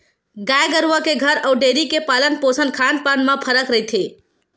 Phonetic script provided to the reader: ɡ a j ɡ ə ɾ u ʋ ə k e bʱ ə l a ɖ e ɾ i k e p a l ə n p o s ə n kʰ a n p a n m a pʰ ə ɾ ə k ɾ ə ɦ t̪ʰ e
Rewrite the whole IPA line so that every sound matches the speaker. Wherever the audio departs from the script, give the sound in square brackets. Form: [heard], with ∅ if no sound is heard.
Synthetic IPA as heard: ɡ a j ɡ ə ɾ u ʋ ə k e [ɡʱ] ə [ɾ] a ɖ e ɾ i k e p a l ə n p o s ə n kʰ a n p a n m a pʰ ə ɾ ə k ɾ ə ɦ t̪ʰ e